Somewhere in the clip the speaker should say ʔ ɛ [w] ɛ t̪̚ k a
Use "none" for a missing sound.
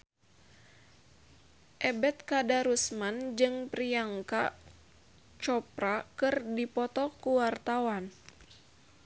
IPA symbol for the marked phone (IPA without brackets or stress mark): b